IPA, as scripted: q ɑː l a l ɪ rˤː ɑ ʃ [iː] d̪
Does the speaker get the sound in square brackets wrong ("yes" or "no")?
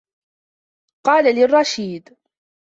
no